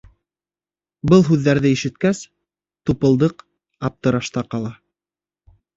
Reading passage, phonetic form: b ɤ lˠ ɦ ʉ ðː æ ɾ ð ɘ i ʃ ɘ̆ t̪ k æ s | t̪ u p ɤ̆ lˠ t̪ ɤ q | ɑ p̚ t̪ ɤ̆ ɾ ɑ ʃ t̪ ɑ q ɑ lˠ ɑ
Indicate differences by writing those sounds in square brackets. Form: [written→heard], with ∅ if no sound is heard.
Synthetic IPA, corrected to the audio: b ɤ lˠ ɦ ʉ ðː æ ɾ ð ɘ i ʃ ɘ̆ t̪ k æ s | t̪ u p ɤ̆ lˠ [t̪→d̪] ɤ q | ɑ p̚ t̪ ɤ̆ ɾ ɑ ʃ t̪ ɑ q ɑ lˠ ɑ